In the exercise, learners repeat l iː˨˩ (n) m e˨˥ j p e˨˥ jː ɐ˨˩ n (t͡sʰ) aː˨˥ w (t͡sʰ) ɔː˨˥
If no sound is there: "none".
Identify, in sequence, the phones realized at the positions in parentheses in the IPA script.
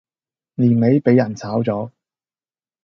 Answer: n, t͡sʰ, t͡s

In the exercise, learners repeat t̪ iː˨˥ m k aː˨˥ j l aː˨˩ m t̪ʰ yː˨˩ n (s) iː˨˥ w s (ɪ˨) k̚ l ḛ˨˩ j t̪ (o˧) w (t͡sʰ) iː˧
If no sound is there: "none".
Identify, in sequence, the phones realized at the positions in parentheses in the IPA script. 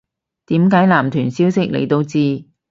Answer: s, ɪ˥, o˧, t͡s

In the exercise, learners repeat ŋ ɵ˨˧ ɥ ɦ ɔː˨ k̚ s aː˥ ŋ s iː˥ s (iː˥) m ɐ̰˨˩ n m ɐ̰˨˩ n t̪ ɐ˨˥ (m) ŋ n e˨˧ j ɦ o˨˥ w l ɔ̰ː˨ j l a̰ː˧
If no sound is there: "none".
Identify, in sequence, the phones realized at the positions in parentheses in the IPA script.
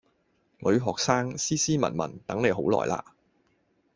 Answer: iː˥, none

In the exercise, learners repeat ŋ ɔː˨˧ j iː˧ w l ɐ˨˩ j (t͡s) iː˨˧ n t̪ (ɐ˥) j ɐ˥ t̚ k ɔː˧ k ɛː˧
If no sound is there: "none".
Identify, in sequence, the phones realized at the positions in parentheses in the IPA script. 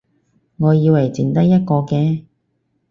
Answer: t͡s, ɐ˥

